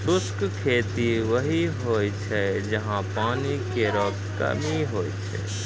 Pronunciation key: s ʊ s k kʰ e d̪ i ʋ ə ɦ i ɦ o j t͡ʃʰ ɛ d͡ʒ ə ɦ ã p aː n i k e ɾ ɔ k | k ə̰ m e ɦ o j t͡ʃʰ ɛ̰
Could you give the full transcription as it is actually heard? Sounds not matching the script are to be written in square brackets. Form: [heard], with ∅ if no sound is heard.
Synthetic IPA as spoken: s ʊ s k kʰ e [t̪] i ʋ ə ɦ i ɦ o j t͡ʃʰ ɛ d͡ʒ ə ɦ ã p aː n i k e ɾ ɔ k | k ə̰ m [i] ɦ o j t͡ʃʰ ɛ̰